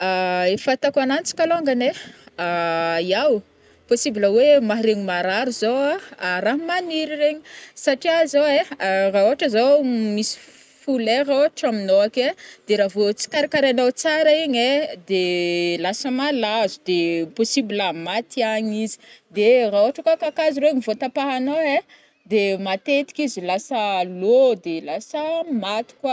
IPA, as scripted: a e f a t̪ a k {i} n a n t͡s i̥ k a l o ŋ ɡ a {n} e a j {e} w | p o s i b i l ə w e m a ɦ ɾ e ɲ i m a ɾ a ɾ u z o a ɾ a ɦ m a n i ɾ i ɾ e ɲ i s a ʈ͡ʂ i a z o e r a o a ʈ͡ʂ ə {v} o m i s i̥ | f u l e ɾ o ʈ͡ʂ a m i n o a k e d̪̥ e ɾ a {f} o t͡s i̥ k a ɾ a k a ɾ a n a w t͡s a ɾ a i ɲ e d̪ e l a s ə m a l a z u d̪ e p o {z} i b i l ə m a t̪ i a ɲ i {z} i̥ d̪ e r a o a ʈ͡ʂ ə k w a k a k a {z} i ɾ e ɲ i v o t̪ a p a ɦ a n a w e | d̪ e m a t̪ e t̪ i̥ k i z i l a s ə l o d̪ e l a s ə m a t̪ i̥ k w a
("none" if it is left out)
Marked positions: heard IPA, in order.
a, n, a, z, v, s, z, z

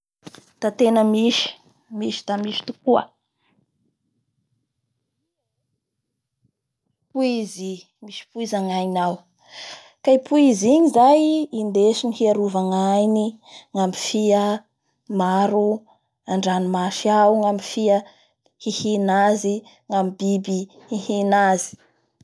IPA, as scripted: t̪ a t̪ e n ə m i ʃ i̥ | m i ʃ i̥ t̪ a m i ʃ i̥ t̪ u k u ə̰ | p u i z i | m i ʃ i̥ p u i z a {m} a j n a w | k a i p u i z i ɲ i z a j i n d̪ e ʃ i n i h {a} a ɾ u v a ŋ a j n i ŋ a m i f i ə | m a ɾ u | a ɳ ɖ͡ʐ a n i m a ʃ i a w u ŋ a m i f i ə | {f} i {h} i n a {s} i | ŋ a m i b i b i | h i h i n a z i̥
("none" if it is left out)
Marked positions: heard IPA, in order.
ŋ, i, h, h, z

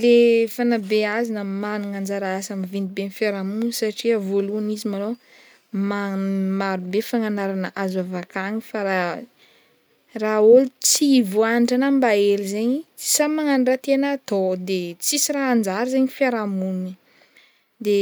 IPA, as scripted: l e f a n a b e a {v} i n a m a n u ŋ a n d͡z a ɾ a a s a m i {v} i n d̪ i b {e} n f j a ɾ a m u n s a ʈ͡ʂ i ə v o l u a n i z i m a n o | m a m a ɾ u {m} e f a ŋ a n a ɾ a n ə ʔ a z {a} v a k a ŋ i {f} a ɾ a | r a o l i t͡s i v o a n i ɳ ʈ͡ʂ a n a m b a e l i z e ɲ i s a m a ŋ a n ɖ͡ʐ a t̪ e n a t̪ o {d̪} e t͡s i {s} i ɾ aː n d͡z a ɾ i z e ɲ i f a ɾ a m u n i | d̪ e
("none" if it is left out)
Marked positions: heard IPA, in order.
z, v, e, b, a, f, d̪, s

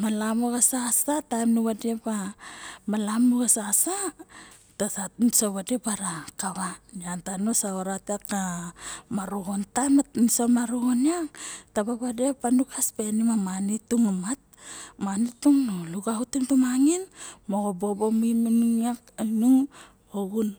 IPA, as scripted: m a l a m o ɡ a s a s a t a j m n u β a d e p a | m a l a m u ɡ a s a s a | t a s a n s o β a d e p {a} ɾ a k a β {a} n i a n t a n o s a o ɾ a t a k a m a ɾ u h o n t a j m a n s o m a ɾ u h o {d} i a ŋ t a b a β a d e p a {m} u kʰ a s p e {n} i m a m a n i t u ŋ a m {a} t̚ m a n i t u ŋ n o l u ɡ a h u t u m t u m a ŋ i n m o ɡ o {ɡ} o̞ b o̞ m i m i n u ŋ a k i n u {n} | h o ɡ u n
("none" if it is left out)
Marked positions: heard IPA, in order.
a, a, n, n, n, a, b, ŋ

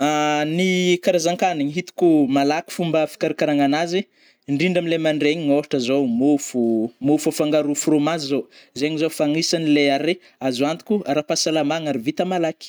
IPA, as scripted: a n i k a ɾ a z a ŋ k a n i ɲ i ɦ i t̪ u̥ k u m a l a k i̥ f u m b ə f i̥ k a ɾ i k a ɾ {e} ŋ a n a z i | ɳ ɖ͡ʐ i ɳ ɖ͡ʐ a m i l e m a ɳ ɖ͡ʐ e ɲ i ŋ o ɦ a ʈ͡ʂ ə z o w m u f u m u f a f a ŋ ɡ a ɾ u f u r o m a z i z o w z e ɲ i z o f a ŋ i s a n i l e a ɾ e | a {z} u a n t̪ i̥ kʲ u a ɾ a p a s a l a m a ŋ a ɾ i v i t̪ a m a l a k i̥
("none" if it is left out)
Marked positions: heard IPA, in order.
a, z

